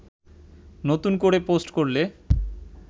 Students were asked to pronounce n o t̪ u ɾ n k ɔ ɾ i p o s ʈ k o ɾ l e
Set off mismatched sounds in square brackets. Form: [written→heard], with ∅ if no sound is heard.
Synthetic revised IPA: n o t̪ u [ɾ→∅] n k [ɔ→o] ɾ [i→e] p o s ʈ k o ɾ l e